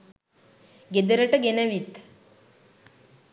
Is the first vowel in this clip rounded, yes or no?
no